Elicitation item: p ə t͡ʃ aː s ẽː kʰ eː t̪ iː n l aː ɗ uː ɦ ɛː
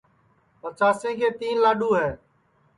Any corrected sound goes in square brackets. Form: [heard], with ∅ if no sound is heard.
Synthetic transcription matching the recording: p ə t͡ʃ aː s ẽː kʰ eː t̪ iː n l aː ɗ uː ɦ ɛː